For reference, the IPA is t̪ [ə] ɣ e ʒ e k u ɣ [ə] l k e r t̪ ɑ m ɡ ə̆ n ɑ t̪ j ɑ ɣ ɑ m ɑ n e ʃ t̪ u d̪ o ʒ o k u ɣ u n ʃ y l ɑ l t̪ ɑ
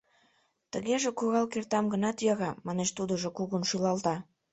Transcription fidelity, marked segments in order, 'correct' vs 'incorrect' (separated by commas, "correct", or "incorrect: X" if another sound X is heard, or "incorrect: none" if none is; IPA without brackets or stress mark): correct, incorrect: ɑ